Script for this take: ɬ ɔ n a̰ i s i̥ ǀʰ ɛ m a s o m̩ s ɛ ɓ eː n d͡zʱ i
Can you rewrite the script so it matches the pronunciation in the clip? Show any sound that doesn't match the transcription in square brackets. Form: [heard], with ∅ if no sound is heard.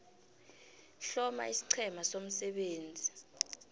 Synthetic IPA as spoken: ɬ ɔ [m] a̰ i s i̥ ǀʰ ɛ m a s o m̩ s ɛ ɓ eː n d͡zʱ i